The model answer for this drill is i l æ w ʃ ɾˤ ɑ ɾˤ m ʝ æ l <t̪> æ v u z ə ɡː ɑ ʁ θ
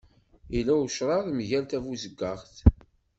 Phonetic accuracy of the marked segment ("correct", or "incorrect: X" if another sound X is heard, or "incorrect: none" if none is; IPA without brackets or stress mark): correct